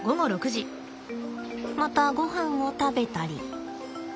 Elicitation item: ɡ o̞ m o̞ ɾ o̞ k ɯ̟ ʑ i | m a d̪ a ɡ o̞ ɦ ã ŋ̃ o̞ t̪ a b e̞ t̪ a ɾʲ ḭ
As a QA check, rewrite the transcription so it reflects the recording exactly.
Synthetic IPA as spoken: ɡ o̞ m o̞ ɾ o̞ k ɯ̟ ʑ i | m a t̪ a ɡ o̞ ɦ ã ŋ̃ o̞ t̪ a b e̞ t̪ a ɾʲ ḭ